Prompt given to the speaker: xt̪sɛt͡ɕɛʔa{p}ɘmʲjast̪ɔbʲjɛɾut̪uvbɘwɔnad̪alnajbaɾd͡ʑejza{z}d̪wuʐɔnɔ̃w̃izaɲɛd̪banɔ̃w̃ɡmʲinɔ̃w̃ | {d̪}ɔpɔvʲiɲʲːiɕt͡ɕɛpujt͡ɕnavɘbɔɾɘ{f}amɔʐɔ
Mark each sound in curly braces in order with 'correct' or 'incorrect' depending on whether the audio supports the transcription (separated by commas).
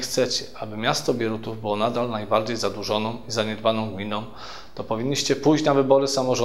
incorrect, incorrect, incorrect, incorrect